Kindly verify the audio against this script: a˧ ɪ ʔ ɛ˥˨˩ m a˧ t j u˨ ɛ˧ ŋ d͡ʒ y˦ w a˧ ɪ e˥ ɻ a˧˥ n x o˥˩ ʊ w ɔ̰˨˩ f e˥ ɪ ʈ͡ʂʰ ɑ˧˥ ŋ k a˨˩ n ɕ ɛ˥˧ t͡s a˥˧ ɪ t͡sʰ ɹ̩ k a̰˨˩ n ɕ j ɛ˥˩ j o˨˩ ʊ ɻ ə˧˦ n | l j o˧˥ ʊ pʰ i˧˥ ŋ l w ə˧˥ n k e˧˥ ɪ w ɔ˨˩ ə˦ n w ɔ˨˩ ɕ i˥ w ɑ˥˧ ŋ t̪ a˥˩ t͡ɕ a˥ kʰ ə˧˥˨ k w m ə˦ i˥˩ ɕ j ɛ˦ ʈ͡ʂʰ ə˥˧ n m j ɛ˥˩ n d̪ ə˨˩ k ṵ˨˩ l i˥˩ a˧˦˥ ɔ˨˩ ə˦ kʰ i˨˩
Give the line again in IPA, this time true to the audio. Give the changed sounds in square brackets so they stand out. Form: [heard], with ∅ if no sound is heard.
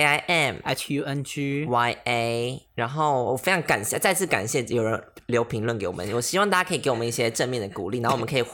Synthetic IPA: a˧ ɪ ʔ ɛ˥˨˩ m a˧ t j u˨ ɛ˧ [n] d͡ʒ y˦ w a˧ ɪ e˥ ɻ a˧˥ n x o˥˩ ʊ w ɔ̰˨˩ f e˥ ɪ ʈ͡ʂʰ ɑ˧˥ ŋ k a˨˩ n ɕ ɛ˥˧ t͡s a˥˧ ɪ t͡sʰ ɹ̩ k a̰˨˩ n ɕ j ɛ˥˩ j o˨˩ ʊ ɻ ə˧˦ n | l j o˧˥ ʊ pʰ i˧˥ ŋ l w [ə˥˩] n k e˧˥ ɪ w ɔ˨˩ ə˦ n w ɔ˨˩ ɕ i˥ w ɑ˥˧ ŋ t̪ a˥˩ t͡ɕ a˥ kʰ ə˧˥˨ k w m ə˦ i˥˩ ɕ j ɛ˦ [ʈ͡ʂ] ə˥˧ n m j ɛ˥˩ n d̪ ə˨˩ k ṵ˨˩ l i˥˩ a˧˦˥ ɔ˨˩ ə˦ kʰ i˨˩